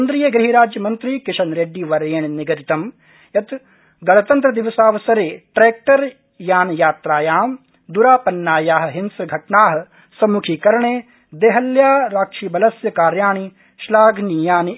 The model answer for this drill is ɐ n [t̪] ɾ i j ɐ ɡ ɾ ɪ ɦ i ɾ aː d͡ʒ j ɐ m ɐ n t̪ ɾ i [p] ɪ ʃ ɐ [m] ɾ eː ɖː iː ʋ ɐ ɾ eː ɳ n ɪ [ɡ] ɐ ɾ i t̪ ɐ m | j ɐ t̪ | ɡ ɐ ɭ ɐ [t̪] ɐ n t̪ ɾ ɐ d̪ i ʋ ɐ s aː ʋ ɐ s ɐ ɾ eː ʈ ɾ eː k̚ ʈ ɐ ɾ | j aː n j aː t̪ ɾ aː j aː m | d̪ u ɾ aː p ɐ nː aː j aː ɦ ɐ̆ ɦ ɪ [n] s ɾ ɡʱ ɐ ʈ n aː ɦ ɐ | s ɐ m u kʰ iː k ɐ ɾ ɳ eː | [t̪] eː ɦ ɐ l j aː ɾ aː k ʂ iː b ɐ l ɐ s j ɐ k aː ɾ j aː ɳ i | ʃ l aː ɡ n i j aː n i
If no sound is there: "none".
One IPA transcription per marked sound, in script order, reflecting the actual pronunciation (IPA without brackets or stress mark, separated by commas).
d̪, k, n, ɡ, t̪, n, d̪